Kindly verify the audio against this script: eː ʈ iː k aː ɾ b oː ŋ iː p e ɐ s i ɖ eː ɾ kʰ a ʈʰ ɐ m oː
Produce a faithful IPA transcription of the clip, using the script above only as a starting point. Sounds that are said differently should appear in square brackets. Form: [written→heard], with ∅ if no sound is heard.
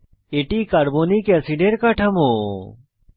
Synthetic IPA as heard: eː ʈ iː k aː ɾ b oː [ŋ→n] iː [p→k] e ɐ s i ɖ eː ɾ [kʰ→k] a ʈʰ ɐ m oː